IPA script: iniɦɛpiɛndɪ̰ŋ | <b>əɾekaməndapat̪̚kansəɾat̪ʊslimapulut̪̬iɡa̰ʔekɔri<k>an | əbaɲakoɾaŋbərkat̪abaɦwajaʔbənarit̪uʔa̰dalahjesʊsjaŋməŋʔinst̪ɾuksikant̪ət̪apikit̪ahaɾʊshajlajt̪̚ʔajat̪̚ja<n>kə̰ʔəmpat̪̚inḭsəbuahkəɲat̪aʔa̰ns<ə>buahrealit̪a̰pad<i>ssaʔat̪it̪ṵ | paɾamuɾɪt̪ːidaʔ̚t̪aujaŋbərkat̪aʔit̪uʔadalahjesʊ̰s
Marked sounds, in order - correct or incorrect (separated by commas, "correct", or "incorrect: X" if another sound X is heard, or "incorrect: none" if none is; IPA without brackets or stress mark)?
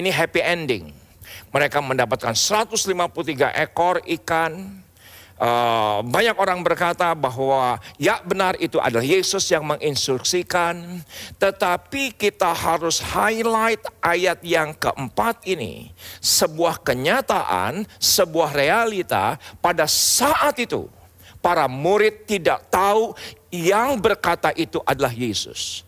incorrect: m, correct, incorrect: ŋ, correct, incorrect: a